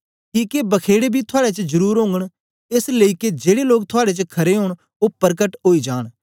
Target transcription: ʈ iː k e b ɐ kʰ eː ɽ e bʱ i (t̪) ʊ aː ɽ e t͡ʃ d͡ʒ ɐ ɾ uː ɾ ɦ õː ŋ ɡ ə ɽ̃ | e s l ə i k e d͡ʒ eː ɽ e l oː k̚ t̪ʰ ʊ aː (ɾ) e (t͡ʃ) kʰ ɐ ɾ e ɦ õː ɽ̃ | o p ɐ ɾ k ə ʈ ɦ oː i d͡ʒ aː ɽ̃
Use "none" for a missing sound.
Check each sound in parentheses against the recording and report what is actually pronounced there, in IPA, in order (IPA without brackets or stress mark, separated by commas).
t̪ʰ, ɽ, t͡ʃ